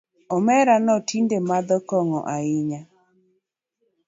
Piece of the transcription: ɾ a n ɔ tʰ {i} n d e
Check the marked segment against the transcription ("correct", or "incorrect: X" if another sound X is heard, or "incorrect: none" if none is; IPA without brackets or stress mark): correct